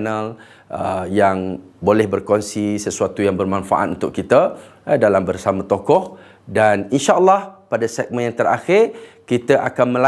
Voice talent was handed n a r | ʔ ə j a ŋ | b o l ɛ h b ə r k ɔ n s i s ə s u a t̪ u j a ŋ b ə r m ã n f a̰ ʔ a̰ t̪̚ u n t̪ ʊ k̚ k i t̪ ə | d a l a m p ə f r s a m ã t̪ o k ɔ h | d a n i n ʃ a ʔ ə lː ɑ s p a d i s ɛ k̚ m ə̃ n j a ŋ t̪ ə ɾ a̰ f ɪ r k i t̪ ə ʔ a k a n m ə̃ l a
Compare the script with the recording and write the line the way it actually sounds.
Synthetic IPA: n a l | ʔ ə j a ŋ | b o l ɛ h b ə r k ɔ n s i s ə s u a t̪ u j a ŋ b ə r m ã n f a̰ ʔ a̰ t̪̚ u n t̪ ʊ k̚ k i t̪ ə | d a l a m b ə r s a m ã t̪ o k ɔ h | d a n i n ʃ a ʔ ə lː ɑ h p a d a s ɛ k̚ m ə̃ n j a ŋ t̪ ə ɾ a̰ x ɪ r k i t̪ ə ʔ a k a n m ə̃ l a